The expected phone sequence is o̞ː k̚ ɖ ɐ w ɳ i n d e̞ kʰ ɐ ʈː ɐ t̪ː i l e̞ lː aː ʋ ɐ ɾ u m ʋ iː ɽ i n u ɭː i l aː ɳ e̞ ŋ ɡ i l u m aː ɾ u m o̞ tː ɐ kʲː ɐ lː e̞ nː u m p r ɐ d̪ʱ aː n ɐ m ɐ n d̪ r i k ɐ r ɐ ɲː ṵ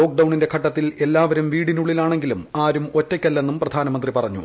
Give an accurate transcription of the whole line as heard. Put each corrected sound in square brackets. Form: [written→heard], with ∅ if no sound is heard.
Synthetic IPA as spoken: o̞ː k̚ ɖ ɐ w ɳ i n d e̞ kʰ ɐ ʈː ɐ t̪ː i l e̞ lː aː ʋ ɐ ɾ u m ʋ iː ɽ i n u ɭː i l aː ɳ e̞ ŋ ɡ i l u m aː ɾ u m o̞ tː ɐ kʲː ɐ lː e̞ nː u m p r ɐ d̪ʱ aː n ɐ m ɐ n d̪ r i [k→p] ɐ r ɐ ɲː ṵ